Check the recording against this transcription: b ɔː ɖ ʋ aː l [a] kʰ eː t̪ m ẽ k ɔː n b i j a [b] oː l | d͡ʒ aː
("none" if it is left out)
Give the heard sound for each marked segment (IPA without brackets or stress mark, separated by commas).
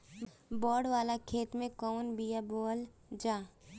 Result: a, b